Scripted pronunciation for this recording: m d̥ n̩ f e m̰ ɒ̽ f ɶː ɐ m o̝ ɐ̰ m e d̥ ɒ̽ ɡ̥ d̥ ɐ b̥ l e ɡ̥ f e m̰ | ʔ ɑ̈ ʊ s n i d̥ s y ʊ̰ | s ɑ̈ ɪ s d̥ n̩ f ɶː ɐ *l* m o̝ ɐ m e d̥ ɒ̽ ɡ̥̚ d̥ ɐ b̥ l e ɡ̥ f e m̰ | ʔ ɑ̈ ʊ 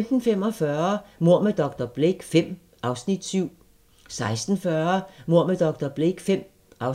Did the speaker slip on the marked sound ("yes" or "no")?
yes